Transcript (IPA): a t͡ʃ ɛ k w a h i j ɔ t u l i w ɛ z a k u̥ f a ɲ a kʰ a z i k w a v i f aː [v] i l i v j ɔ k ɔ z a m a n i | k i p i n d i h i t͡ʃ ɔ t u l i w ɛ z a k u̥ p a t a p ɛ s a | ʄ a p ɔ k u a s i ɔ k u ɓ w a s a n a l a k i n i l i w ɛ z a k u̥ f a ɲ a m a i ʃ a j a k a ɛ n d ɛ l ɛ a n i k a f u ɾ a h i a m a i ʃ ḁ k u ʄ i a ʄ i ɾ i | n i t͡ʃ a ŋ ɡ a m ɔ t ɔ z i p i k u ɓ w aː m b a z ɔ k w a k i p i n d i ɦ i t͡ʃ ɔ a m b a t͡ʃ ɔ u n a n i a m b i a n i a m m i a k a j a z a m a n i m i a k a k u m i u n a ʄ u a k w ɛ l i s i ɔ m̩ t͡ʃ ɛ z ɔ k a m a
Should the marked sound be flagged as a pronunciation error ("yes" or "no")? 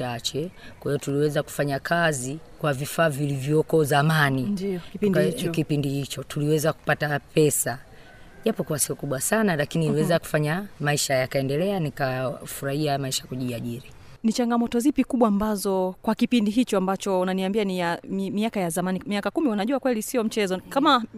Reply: no